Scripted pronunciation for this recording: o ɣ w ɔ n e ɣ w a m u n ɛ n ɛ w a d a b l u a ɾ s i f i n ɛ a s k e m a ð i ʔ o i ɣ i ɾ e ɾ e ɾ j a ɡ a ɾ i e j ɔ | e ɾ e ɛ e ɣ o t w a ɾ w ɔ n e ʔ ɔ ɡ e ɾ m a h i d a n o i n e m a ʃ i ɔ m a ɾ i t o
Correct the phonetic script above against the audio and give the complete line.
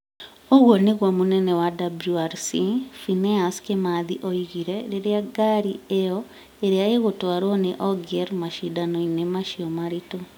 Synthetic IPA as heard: o ɣ w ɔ n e ɣ w a m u n ɛ n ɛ w a d a b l u a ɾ s i f i n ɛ a s k e m a ð i ʔ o i ɣ i ɾ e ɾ e ɾ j a ɡ a ɾ i e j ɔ | e ɾ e a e ɣ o t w a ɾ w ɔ n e ʔ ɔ ɡ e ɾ m a ʃ i d a n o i n e m a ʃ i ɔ m a ɾ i t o

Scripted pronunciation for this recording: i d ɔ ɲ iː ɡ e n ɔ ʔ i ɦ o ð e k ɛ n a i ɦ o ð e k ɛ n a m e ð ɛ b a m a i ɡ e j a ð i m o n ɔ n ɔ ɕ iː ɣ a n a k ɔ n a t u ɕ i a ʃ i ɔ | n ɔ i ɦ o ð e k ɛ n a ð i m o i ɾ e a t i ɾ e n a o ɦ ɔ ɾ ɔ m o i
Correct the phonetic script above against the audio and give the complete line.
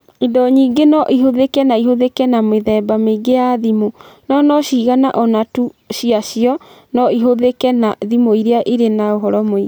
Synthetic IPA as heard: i d ɔ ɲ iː ɡ e n ɔ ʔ i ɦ o ð e k ɛ n a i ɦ o ð e k ɛ n a m e ð ɛ b a m e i ɡ e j a ð i m o n ɔ n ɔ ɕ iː ɣ a n a ʔ ɔ n a t u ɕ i a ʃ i ɔ | n ɔ i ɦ o ð e k ɛ n a ð i m o i ɾ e a ʔ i ɾ e n a o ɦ ɔ ɾ ɔ m o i

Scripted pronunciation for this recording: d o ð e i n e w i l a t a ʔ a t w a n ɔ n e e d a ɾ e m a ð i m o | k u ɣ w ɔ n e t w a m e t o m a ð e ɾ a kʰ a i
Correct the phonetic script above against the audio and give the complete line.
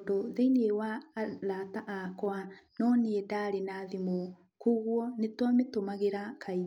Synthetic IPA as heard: d o ð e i n e w a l a t a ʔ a k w a n ɔ n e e d a ɾ e n a ð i m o | k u ɣ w ɔ n e t w a m e t o m a ɣ e ɾ a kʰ a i

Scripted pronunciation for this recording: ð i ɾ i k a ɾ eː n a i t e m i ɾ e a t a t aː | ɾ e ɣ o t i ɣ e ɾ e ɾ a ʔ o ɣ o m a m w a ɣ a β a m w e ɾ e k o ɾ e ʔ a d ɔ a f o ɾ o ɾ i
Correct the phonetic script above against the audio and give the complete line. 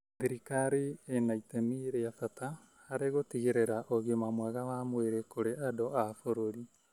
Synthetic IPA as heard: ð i ɾ i k a ɾ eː n a i t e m i ɾ e a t a t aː | ɾ e ɣ o t i ɣ e ɾ e ɾ a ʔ o ɣ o m a m w a ɣ a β a m w e ɾ e k o ɾ e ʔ a d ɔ a f o ɾ o ɾ i

